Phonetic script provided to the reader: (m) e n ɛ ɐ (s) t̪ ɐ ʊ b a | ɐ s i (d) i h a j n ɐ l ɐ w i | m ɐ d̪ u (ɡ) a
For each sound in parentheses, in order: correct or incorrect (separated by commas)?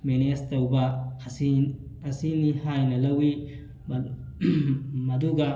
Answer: correct, correct, incorrect, correct